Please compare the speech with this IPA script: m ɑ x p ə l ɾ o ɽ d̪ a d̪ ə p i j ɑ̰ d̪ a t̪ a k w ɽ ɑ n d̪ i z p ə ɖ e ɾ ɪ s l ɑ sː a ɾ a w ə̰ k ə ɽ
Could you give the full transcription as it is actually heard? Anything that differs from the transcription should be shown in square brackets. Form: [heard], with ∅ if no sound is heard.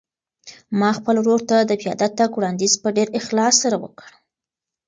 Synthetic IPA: m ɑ x p ə l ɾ o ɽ [t̪] a d̪ ə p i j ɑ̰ d̪ a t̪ a k w ɽ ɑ n d̪ i z p ə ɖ e ɾ ɪ [x] l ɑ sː a ɾ a w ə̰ k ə ɽ